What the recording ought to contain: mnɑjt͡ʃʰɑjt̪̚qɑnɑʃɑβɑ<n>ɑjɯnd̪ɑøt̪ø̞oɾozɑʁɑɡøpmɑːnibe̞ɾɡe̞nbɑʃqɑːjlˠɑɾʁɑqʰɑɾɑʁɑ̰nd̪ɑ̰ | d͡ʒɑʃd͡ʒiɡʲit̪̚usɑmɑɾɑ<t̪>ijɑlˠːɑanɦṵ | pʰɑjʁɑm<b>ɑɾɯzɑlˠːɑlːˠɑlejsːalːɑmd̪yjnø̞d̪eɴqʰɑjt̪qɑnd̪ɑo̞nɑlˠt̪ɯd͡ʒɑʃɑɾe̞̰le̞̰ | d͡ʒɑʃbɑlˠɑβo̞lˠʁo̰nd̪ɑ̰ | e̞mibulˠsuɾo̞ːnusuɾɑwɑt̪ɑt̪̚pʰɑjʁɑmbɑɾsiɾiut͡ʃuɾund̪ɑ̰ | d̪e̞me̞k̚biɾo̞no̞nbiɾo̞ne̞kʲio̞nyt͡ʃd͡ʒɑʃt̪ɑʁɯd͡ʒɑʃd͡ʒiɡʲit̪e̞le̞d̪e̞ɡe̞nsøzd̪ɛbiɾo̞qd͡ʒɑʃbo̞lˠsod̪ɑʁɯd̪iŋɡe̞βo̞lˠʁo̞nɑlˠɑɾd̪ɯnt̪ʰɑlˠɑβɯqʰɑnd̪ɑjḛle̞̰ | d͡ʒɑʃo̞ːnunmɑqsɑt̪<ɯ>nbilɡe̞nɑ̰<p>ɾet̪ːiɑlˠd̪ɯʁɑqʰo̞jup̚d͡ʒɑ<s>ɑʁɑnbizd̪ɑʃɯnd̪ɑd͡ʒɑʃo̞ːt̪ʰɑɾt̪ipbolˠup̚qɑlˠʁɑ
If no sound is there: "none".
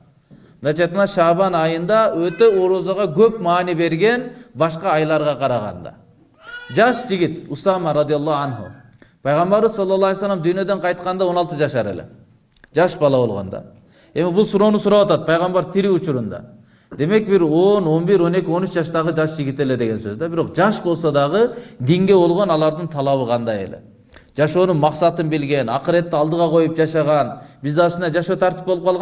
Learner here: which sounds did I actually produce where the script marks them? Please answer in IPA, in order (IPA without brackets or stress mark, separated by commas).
n, d̪, b, ɯ, q, ʃ